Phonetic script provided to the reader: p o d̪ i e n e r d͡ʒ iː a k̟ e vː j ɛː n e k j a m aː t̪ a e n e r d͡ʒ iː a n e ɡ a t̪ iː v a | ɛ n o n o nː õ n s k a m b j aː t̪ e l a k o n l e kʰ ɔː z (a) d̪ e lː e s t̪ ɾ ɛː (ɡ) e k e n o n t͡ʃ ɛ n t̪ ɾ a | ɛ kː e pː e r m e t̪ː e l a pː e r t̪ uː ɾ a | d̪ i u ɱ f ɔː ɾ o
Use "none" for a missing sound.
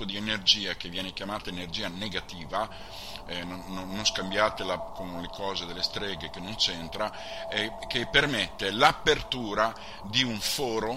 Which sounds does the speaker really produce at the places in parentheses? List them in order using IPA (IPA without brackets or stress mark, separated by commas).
e, ɡ